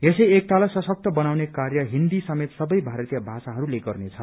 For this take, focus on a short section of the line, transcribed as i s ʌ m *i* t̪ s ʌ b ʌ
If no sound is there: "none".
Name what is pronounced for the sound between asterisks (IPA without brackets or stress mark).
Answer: e